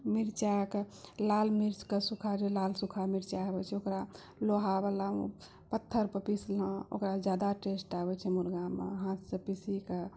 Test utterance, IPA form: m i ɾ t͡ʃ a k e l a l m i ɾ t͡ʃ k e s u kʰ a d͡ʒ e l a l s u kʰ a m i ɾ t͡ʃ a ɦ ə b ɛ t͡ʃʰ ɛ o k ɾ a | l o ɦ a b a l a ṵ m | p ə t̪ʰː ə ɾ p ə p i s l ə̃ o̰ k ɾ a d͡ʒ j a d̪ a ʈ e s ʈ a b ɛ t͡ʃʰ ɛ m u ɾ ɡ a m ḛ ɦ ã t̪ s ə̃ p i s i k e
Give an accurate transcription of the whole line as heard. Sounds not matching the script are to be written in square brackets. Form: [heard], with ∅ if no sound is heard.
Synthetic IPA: m i ɾ t͡ʃ a k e l a l m i ɾ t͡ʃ k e s u kʰ a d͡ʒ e l a l s u kʰ a m i ɾ t͡ʃ a ɦ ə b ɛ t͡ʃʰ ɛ o k ɾ a | l o ɦ a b a l a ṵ [∅] | p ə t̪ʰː ə ɾ p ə p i s l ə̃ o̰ k ɾ a d͡ʒ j a d̪ a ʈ e s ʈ a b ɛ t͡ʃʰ ɛ m u ɾ ɡ a m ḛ ɦ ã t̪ s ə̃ p i s i k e